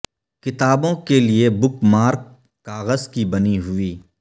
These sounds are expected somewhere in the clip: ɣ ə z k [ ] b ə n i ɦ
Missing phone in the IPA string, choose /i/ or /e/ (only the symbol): i